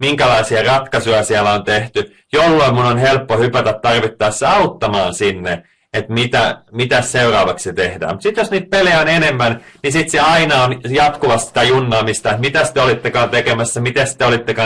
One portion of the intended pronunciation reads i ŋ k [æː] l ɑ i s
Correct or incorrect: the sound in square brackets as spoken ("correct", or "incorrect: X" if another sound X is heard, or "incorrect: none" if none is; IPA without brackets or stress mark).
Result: incorrect: æ